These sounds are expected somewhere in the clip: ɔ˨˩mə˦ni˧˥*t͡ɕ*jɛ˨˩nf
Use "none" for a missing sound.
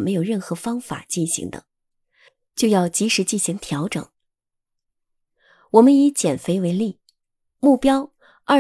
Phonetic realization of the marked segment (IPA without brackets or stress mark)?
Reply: t͡ɕ